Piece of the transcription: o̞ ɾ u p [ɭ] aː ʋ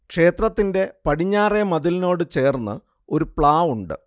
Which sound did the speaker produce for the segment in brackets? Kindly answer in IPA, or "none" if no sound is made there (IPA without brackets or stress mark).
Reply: ɭ